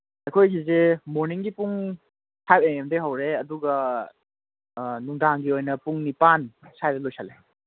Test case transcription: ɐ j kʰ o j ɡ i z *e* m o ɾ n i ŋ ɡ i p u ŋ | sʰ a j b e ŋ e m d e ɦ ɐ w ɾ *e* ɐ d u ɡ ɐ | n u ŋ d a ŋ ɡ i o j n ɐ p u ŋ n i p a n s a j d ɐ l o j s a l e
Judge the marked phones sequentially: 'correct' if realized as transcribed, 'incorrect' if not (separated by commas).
correct, correct